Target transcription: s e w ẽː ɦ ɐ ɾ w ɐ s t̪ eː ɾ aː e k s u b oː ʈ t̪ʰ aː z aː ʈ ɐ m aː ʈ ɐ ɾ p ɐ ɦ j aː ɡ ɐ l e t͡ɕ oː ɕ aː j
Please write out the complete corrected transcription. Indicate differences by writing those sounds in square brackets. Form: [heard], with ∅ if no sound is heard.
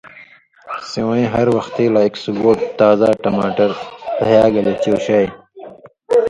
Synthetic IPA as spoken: s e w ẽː ɦ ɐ ɾ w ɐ [x] t̪ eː [l] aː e k s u [ɡ] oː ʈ [t̪] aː z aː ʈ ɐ m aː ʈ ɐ ɾ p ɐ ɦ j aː ɡ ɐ l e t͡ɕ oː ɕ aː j